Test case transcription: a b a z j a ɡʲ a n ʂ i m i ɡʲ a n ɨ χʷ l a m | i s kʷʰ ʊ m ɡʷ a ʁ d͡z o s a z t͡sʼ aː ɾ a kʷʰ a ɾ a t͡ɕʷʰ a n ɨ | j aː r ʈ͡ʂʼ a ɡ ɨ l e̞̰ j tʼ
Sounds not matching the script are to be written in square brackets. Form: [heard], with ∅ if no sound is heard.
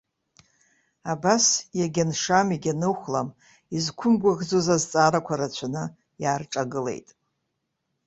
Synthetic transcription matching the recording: a b a [s] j a ɡʲ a n ʂ [a] m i ɡʲ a n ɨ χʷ l a m | i [z] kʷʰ ʊ m ɡʷ a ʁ d͡z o [z] a z t͡sʼ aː ɾ a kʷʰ a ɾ a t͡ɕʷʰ a n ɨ | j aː r ʈ͡ʂʼ a ɡ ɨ l e̞̰ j tʼ